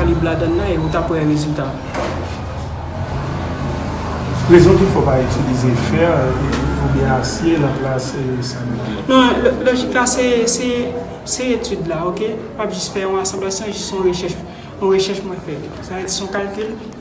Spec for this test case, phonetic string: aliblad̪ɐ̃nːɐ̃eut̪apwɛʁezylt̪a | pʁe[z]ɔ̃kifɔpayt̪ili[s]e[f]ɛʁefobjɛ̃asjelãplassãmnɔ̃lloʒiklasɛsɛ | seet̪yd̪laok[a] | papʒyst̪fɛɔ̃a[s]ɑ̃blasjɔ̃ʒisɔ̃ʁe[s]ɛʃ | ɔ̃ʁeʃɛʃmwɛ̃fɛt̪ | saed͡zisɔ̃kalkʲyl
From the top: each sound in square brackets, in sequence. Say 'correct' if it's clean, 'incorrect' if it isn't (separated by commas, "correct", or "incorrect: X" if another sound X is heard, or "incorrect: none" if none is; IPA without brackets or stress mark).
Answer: correct, incorrect: z, correct, incorrect: e, correct, incorrect: ʃ